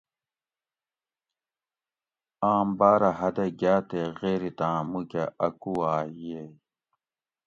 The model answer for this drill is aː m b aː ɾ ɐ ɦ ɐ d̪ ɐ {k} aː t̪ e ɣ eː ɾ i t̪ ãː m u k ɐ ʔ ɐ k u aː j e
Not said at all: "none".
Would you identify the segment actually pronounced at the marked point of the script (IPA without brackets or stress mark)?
ɡ